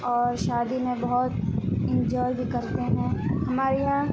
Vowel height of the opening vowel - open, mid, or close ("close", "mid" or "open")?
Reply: mid